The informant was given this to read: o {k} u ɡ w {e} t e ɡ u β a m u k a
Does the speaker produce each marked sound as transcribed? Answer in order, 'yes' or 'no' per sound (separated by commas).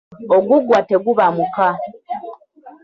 no, no